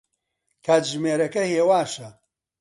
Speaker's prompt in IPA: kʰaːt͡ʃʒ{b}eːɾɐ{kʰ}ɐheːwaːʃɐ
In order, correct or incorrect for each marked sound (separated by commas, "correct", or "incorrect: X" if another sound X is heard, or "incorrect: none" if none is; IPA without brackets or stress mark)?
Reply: incorrect: m, incorrect: k